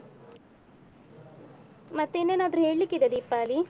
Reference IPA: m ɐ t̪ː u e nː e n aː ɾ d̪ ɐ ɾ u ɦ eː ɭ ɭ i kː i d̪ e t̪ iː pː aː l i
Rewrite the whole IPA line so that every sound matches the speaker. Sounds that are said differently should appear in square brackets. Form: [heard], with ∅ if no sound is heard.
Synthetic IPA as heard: m ɐ t̪ː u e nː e n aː [∅] d̪ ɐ ɾ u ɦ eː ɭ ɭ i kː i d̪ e [d̪] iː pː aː l i